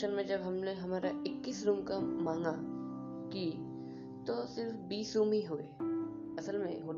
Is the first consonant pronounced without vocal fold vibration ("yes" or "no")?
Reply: no